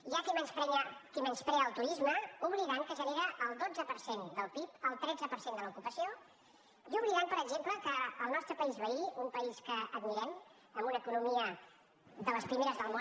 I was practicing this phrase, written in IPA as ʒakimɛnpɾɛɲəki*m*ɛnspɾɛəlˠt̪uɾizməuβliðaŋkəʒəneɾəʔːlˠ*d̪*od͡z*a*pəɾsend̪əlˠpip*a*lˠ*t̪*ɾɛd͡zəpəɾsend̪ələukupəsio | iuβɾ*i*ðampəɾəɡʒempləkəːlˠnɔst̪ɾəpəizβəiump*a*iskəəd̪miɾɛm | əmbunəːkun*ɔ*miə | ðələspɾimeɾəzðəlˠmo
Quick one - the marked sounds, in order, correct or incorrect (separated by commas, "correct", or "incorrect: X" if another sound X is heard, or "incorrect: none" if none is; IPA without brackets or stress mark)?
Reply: correct, correct, incorrect: ə, incorrect: ə, correct, correct, incorrect: ə, incorrect: u